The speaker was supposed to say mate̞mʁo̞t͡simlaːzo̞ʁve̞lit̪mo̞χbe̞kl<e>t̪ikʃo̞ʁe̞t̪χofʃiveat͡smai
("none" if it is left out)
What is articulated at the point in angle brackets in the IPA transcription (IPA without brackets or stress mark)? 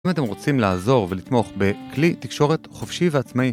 i